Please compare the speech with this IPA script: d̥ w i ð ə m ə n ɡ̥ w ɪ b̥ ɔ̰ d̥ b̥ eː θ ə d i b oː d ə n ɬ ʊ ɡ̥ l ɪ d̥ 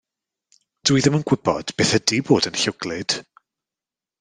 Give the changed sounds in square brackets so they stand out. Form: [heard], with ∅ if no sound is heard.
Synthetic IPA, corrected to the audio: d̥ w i ð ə m ə n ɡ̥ w ɪ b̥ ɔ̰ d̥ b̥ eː θ ə d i b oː d ə n ɬ ʊ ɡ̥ l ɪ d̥